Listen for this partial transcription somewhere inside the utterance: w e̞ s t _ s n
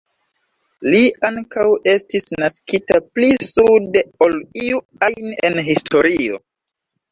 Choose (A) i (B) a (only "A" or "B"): A